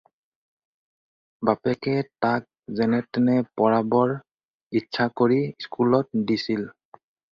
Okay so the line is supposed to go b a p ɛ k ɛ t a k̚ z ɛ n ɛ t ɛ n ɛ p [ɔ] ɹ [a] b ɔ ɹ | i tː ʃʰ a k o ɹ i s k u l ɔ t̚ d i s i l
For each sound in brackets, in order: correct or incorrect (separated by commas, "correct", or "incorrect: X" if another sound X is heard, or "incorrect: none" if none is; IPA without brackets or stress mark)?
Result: correct, correct